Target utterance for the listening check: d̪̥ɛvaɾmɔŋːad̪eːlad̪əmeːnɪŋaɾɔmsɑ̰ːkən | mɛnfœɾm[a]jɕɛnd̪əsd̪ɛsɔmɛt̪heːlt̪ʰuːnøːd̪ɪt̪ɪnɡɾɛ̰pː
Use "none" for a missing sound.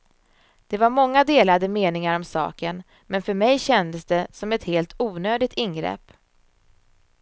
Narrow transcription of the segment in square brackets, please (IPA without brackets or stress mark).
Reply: ɛ